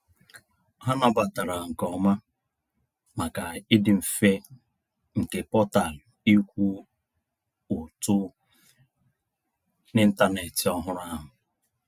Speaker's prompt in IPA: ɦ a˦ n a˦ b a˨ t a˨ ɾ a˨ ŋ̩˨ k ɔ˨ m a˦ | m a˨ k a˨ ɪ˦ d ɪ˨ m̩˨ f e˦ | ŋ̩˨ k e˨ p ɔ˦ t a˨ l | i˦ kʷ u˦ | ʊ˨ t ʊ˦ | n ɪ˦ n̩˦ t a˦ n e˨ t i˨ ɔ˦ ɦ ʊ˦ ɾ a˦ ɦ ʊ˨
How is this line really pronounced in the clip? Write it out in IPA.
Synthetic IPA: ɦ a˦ n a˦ b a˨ t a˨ ɾ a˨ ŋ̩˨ k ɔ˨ m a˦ | m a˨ k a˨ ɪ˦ d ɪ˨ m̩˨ f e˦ | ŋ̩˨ k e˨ p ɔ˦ t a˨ l | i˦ kʷ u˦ | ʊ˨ t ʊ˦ | n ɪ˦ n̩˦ t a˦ n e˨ t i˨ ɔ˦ ɦ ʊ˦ ɾ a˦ ɦ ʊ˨